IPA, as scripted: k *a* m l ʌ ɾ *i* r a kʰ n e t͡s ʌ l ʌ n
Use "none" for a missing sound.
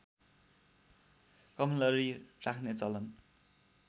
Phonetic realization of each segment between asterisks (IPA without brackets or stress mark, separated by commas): ʌ, i